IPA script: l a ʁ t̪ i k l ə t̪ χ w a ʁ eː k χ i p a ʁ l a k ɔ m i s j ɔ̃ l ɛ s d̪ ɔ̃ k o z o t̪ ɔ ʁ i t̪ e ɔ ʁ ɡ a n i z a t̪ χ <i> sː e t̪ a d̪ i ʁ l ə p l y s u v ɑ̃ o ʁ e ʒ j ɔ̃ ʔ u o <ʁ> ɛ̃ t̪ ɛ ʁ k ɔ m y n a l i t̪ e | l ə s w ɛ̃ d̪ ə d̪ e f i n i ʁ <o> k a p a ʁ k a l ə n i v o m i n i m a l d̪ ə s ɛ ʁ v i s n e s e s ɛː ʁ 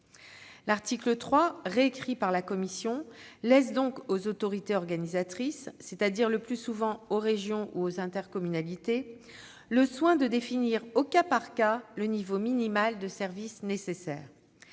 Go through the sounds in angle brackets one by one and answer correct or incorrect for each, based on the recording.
correct, incorrect: z, correct

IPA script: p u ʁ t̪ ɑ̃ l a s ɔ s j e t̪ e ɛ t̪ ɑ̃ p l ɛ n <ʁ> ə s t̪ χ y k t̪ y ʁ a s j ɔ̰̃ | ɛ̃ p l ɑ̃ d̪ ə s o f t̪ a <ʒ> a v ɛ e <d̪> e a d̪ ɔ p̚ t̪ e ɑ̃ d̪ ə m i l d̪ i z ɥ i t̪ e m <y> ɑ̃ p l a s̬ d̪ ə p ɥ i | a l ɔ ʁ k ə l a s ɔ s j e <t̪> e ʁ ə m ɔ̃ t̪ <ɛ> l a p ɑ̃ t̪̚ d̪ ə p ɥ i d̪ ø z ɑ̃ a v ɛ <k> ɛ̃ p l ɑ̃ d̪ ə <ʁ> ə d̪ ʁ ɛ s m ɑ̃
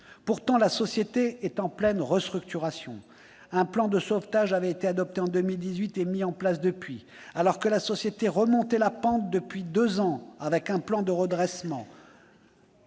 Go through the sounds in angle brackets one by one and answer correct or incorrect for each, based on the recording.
correct, correct, incorrect: t̪, incorrect: i, correct, correct, correct, correct

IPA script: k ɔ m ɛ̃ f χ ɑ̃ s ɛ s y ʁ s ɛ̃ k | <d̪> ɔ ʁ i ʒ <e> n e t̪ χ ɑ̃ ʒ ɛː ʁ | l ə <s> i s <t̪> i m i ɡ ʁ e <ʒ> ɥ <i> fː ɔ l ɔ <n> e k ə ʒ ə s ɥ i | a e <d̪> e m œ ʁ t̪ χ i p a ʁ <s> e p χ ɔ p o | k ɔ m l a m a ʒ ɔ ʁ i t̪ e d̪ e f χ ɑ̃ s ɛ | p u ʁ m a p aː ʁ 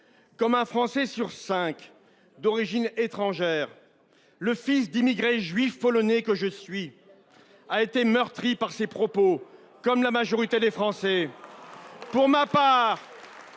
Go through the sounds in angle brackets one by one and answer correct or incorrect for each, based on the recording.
correct, incorrect: i, incorrect: f, incorrect: d̪, correct, correct, correct, incorrect: t̪, correct

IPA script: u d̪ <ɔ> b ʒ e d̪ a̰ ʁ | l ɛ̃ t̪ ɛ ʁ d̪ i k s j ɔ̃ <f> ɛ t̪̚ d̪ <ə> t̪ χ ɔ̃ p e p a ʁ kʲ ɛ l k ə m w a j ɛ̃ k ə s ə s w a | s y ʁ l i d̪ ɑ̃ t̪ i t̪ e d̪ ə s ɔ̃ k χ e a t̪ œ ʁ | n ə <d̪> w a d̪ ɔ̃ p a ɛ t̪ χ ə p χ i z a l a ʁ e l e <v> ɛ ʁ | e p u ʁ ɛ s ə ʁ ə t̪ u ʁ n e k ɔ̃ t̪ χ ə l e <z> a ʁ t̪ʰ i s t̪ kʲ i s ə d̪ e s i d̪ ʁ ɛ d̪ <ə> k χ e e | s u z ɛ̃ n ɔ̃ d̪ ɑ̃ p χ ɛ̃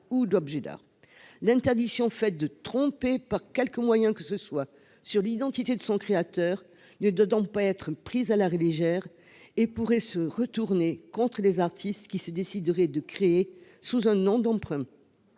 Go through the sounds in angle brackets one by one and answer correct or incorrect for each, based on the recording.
correct, correct, correct, correct, incorrect: ʒ, correct, correct

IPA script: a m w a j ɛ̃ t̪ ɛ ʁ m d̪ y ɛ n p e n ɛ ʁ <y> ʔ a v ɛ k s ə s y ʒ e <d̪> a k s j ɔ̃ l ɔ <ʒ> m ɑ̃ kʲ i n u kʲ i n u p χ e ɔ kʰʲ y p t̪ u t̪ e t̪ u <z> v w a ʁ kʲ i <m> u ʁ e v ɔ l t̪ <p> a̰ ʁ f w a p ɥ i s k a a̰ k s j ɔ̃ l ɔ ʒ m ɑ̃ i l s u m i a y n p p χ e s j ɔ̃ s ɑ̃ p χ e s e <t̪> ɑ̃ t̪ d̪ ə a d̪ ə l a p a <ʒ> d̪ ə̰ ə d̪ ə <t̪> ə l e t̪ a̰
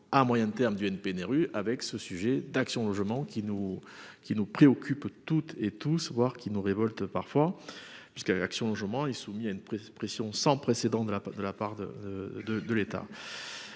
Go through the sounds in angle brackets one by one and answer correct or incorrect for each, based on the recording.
correct, correct, correct, incorrect: s, incorrect: n, correct, incorrect: d̪, incorrect: ʁ, incorrect: d̪

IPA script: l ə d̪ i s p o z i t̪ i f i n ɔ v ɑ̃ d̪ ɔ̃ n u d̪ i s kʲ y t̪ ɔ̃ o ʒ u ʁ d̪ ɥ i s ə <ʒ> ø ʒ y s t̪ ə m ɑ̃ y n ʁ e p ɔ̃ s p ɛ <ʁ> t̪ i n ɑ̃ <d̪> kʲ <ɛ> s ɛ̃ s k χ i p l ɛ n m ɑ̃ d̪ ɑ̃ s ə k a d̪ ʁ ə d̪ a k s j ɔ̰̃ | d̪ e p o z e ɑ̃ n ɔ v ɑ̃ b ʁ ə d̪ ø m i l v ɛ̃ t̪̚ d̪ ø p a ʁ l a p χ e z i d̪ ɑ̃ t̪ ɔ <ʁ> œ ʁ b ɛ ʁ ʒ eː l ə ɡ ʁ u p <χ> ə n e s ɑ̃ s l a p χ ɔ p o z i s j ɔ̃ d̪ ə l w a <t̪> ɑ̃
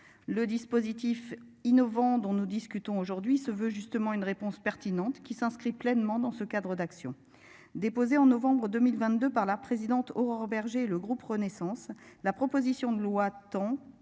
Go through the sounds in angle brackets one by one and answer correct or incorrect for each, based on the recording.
incorrect: v, correct, incorrect: t̪, incorrect: i, correct, incorrect: ʁ, correct

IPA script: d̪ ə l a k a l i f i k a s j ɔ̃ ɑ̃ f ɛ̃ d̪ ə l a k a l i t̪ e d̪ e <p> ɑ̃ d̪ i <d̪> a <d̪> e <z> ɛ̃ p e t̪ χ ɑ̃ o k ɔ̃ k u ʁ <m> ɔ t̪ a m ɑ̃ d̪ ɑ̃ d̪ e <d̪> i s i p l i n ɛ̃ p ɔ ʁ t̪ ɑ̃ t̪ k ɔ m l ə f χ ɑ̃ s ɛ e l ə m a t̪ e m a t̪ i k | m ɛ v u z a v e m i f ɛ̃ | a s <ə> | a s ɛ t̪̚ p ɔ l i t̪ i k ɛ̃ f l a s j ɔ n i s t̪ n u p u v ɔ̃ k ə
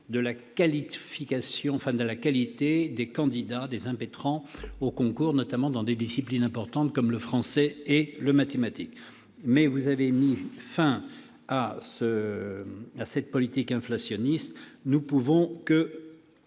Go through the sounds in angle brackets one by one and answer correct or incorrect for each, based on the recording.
incorrect: k, correct, correct, correct, incorrect: n, correct, correct

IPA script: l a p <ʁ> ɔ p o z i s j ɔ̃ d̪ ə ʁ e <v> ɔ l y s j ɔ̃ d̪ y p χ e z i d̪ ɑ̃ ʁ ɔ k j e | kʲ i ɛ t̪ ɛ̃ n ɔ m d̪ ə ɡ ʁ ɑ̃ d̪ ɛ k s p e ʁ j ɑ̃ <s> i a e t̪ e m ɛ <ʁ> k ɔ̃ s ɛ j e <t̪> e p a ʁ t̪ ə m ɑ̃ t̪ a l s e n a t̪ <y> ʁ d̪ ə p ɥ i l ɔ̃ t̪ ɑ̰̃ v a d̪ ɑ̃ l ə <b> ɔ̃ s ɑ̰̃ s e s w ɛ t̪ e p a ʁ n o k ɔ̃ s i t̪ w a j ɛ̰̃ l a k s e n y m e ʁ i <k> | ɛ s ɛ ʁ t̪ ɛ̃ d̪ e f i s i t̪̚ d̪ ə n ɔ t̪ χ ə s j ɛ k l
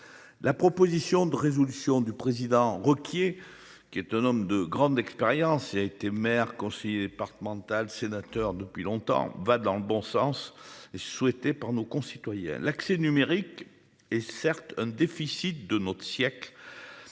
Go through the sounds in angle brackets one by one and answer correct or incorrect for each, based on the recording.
incorrect: χ, incorrect: z, correct, correct, incorrect: d̪, incorrect: œ, correct, correct

